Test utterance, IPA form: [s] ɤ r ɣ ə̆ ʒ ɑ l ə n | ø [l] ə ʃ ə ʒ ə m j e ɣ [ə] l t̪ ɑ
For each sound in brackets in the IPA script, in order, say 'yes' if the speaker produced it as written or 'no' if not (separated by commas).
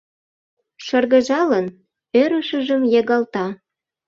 no, no, no